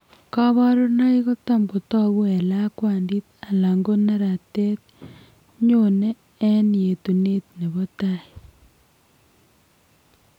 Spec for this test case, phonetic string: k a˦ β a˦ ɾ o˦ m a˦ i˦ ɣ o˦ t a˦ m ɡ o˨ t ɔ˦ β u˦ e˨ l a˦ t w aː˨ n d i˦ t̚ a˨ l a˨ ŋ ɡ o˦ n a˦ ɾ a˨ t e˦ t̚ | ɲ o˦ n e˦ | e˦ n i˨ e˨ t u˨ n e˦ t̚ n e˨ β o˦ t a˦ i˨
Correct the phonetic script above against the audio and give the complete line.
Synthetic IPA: k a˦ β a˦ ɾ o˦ n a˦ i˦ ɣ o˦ t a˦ m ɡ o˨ t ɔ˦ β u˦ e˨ l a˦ k w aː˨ n d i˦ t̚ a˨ l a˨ ŋ ɡ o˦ n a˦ ɾ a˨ t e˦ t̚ | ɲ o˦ n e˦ | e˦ n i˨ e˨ t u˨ n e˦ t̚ n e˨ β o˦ t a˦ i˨